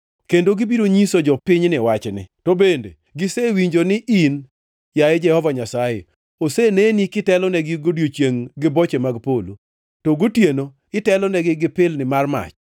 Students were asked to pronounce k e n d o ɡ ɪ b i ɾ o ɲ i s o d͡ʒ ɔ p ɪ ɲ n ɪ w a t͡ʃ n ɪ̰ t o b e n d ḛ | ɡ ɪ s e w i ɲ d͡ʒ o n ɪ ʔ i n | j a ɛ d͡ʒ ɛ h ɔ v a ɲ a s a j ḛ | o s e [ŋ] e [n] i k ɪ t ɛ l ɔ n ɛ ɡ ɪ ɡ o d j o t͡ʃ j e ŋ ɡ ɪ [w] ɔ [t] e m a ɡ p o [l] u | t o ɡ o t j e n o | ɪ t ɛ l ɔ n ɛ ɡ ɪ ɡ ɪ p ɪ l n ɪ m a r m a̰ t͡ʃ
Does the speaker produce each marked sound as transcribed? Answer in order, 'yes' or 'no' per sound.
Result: no, yes, no, no, yes

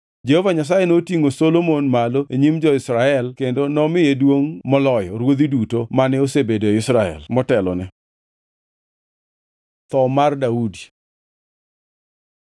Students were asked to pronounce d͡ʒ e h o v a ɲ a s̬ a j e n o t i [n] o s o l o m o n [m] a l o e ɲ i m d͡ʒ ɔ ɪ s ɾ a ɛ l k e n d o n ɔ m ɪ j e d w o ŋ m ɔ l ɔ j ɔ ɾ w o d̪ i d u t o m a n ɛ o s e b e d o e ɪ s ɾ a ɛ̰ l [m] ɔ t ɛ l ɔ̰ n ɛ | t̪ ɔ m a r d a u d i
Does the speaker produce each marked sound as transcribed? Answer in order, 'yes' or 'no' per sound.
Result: no, yes, yes

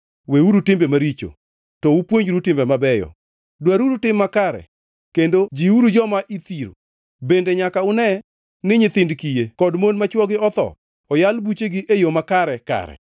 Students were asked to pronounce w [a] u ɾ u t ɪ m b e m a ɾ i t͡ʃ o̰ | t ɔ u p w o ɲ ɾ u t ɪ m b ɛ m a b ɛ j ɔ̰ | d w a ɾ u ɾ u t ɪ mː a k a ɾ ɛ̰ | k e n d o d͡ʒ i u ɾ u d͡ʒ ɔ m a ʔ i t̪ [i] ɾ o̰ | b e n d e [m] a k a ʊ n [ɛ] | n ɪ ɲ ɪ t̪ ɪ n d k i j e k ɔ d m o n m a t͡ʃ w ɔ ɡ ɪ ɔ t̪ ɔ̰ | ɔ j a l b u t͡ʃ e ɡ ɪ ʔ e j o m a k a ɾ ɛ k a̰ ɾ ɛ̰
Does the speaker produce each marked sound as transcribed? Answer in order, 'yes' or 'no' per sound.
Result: no, yes, no, yes

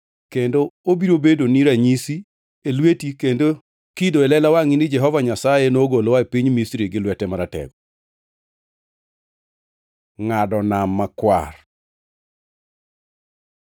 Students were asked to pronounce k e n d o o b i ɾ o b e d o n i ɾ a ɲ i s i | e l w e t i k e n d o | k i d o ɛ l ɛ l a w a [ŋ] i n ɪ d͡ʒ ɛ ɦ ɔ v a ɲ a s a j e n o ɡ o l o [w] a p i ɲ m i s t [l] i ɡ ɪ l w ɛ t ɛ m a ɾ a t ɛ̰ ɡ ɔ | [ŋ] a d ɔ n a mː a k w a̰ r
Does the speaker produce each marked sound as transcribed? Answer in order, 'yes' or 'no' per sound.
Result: yes, yes, no, yes

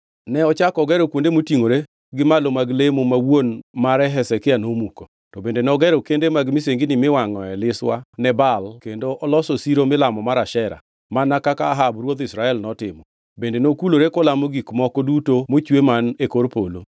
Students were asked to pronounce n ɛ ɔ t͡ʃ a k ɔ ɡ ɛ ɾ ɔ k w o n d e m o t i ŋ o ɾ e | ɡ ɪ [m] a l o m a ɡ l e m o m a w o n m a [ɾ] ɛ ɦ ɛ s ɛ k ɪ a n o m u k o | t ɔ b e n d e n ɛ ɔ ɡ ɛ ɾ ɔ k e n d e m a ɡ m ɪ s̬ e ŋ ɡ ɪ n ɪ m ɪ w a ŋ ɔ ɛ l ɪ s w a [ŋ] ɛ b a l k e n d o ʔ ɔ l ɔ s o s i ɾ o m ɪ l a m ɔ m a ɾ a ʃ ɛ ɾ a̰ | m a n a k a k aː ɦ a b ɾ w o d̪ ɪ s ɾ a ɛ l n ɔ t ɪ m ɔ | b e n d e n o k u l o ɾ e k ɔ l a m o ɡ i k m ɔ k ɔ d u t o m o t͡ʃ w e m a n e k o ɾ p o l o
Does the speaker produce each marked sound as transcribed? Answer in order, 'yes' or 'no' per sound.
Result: yes, yes, no

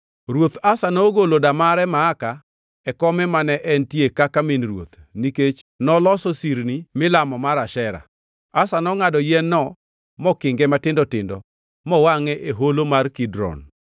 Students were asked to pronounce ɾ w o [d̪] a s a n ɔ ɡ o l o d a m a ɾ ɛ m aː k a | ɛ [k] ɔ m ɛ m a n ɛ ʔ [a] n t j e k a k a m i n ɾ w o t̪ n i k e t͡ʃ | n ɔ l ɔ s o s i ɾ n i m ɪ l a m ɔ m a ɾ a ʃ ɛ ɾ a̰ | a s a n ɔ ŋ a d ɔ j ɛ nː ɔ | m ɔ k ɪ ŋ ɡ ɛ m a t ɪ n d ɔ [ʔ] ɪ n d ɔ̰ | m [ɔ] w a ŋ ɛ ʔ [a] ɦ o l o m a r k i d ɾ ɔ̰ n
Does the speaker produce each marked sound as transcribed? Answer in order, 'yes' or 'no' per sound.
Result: no, yes, no, no, yes, no

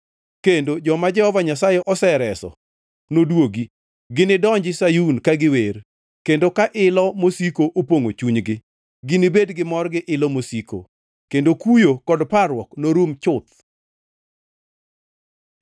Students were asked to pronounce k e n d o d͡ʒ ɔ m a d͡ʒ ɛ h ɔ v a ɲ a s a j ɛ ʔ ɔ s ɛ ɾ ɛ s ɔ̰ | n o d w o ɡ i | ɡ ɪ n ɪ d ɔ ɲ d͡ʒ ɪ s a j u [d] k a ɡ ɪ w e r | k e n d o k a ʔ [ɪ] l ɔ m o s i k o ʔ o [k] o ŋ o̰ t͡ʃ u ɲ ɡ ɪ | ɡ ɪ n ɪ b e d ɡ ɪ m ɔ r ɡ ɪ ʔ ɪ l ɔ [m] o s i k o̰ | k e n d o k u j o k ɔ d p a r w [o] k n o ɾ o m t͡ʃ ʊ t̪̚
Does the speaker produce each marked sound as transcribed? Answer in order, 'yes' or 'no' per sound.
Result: no, yes, no, yes, no

